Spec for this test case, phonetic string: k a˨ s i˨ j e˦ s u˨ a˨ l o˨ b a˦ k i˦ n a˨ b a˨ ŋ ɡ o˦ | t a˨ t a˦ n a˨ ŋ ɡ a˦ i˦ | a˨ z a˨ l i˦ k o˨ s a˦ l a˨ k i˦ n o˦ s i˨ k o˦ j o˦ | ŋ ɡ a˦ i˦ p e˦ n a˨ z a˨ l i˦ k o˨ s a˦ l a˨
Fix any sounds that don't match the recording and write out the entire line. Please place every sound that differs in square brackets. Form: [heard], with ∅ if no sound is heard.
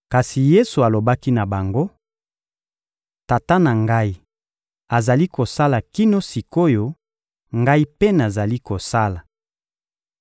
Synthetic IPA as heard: k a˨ s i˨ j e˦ s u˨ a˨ l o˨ b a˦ k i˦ n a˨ b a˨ ŋ ɡ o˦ | t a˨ t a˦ n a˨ ŋ ɡ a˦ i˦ | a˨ z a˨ l i˦ k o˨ s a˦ l a˨ k i˦ n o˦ s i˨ k o˦ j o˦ | ŋ ɡ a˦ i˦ p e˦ n a˨ z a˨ l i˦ k o˨ s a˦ l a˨